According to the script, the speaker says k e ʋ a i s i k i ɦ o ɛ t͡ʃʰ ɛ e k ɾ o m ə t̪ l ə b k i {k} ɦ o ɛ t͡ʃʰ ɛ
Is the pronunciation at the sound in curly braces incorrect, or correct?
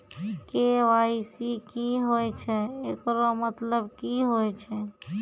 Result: incorrect